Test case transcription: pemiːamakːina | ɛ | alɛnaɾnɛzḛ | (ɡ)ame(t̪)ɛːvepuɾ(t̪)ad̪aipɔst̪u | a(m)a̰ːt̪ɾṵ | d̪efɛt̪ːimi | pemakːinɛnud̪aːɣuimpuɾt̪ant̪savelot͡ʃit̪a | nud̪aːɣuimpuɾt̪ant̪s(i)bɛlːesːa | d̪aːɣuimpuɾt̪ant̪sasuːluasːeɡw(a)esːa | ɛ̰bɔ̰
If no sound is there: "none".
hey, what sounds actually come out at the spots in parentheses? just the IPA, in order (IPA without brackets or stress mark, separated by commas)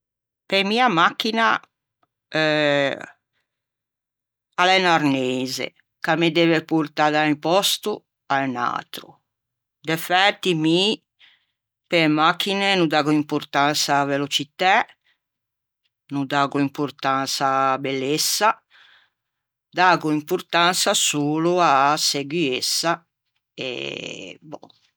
k, d̪, t̪, n, a, i